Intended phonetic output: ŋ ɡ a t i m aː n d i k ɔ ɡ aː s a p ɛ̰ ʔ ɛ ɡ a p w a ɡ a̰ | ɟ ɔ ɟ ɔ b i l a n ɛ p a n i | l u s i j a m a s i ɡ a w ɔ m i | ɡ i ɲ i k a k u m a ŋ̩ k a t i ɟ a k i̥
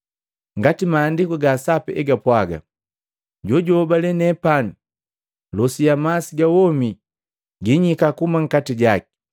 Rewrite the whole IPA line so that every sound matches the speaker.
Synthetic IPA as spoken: ŋ ɡ a t i m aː n d i k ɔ ɡ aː s a p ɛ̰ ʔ ɛ ɡ a p w a ɡ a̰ | ɟ ɔ ɟ ɔ b a l ɛ n ɛ p a n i | l ɔ s i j a m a s i ɡ a w ɔ m i | ɡ i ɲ i k a k u m a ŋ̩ k a t i ɟ a k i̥